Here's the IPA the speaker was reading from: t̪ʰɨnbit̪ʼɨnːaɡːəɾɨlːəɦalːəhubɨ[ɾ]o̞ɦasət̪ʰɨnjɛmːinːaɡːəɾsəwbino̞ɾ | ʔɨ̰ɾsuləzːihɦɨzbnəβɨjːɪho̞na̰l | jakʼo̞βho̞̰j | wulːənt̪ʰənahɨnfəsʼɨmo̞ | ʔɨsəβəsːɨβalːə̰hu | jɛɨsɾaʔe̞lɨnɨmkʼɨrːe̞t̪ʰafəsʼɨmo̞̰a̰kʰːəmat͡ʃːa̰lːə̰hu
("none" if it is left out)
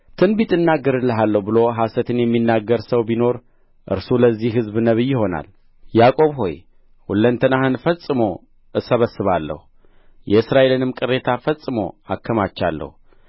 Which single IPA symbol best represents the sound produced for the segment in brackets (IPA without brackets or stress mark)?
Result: l